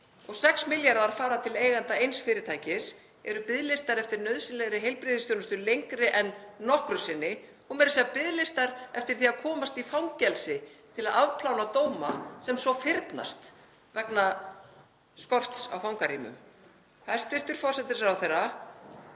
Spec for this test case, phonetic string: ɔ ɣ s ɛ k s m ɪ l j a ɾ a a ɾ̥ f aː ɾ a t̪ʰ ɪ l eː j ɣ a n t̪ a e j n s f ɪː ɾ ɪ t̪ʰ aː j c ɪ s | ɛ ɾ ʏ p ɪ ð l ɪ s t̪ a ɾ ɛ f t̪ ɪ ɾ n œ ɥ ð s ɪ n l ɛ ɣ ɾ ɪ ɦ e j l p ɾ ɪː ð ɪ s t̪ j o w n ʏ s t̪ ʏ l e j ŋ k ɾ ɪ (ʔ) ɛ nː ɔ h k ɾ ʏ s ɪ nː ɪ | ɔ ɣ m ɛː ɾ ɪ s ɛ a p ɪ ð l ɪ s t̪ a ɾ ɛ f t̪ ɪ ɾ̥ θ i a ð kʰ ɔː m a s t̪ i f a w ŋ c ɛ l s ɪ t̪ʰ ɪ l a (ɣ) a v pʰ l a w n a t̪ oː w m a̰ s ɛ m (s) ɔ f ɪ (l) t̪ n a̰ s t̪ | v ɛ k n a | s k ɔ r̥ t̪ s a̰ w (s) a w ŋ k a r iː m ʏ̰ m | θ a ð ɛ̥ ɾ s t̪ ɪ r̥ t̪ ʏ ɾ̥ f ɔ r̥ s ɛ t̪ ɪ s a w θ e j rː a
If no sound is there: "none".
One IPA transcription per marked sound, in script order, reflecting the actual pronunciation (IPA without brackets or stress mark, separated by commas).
ʔ, ð, s, ɾ, f